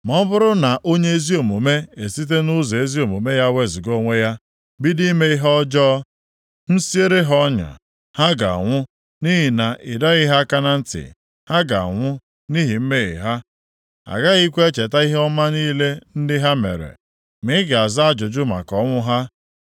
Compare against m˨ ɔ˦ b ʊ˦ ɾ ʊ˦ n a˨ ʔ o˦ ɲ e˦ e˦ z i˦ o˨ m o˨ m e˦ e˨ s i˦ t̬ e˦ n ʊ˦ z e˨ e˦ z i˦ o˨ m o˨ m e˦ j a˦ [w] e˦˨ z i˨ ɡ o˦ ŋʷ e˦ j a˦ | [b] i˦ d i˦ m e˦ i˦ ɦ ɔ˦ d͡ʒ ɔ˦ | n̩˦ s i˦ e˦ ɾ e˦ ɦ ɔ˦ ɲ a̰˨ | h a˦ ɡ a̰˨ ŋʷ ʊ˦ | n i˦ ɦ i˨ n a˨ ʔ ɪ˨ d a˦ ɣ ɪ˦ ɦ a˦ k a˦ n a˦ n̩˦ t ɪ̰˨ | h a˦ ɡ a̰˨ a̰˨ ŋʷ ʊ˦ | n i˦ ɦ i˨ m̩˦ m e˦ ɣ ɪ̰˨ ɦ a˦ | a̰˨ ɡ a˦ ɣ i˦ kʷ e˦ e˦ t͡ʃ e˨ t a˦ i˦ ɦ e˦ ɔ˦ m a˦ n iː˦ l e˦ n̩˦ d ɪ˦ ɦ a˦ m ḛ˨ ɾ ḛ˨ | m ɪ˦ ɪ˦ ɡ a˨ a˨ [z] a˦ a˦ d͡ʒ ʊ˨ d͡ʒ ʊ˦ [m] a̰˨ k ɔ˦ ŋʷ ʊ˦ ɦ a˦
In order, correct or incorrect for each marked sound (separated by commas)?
correct, correct, correct, correct